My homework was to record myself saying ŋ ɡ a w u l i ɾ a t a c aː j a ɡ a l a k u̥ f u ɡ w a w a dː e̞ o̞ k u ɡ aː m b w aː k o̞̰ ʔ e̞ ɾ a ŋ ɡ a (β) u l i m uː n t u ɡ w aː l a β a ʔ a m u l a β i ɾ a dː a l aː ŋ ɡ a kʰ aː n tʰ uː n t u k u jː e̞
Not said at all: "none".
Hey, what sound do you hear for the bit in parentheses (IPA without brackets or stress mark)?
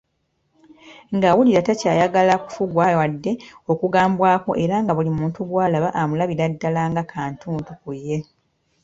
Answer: β